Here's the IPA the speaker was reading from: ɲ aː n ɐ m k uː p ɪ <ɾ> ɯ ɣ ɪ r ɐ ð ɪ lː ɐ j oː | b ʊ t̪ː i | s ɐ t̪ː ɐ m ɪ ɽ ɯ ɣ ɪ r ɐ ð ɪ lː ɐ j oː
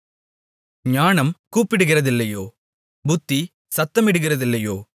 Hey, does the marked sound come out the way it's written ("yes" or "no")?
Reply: no